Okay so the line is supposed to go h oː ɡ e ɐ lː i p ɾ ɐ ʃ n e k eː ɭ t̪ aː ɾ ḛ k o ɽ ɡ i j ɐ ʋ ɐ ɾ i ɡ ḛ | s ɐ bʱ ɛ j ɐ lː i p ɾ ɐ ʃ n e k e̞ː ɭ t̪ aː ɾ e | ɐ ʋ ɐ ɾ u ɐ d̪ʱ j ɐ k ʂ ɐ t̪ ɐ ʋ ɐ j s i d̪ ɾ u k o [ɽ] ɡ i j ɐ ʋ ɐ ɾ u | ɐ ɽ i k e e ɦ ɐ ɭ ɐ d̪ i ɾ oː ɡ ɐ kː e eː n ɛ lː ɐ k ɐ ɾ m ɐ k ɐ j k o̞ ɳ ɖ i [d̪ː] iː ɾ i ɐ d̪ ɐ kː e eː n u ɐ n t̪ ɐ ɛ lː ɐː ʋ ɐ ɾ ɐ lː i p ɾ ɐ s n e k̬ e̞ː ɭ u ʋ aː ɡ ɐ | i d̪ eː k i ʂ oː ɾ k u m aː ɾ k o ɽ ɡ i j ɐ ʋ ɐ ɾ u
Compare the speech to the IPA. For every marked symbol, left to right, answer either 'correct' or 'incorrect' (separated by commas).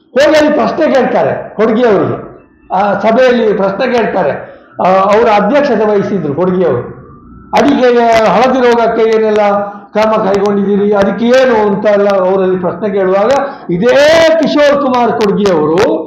correct, incorrect